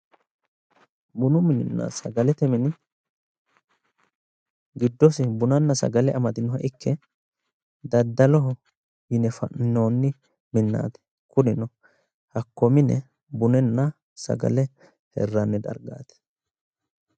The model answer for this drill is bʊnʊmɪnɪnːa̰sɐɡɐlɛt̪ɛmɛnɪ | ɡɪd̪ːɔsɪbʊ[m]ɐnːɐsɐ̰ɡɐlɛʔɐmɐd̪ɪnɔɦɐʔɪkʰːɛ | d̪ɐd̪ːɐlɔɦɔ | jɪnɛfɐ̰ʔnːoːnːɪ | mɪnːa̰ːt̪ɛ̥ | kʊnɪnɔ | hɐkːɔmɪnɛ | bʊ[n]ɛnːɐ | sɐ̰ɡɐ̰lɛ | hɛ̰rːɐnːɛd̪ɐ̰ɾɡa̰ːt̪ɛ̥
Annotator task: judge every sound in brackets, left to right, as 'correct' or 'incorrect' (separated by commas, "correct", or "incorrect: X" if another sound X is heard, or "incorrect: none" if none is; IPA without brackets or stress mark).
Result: incorrect: n, correct